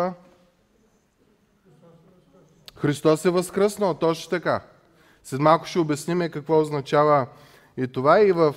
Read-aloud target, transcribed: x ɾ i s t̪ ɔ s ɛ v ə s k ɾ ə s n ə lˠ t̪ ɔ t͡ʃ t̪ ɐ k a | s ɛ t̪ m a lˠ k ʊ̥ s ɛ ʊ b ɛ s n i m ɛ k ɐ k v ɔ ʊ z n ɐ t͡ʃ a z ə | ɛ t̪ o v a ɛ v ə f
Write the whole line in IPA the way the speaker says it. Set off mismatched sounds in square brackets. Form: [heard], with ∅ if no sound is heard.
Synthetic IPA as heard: x ɾ i s t̪ ɔ s ɛ v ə s k ɾ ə s n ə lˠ t̪ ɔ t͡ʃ t̪ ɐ k a | s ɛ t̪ m a lˠ k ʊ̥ [ʃ] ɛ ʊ b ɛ s n i m ɛ k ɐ k v ɔ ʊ z n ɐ t͡ʃ a [v] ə | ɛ t̪ o v a [i] v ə f